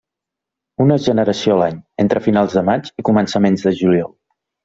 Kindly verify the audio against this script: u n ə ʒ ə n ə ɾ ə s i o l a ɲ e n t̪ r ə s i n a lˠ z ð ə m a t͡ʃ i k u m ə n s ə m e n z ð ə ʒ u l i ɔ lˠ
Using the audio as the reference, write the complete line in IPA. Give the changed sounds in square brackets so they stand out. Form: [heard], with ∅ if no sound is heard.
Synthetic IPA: u n ə ʒ ə n ə ɾ ə s i o l a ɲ e n t̪ [ɾ] ə [f] i n a lˠ z ð ə m a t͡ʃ i k u m ə n s ə m e n z ð ə ʒ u l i ɔ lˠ